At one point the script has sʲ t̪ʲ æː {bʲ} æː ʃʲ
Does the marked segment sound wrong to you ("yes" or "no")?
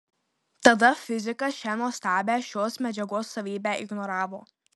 no